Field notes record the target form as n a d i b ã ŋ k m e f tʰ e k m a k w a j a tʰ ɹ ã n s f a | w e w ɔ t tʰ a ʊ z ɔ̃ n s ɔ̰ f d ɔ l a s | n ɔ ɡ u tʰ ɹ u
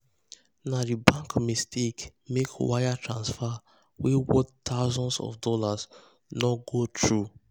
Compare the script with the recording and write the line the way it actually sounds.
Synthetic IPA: n a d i b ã ŋ k m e s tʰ e k m e k w a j a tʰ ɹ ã n s f a | w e w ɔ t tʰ a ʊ z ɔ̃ n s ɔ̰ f d ɔ l a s | n ɔ ɡ o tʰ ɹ u